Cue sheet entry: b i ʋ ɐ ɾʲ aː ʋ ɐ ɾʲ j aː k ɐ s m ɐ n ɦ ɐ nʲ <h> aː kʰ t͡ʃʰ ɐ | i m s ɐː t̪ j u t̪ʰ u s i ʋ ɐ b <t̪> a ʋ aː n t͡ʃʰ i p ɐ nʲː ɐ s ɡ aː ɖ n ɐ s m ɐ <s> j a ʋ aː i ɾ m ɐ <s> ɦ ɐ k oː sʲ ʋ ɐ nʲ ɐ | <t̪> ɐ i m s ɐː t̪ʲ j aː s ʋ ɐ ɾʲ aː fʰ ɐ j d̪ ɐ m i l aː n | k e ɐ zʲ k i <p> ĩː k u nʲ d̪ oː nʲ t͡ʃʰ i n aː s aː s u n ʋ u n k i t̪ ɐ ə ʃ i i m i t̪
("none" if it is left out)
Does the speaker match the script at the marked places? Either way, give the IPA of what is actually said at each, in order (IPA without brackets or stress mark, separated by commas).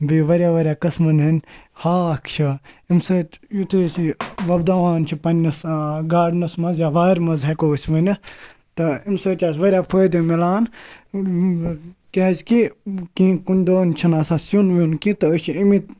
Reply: h, d̪, z, z, t̪, k